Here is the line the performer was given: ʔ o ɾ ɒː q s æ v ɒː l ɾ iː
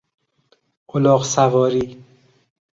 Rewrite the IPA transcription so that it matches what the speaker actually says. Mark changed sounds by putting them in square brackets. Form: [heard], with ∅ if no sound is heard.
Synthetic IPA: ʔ o [l] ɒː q s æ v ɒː [∅] ɾ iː